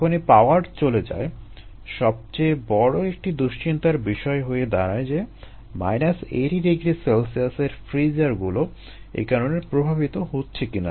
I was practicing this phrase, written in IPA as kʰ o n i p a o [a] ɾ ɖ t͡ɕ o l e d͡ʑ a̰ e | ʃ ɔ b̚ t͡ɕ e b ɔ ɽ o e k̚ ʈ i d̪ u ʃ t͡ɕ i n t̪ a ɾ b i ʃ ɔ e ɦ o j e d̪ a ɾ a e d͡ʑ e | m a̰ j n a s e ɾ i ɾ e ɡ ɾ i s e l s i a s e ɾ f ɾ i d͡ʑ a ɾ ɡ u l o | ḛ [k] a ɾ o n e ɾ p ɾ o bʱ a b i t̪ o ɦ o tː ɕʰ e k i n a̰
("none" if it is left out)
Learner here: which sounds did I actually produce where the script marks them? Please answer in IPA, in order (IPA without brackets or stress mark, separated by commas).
a, k